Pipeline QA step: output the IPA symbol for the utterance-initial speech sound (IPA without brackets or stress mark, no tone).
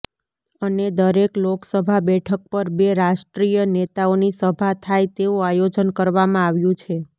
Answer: ə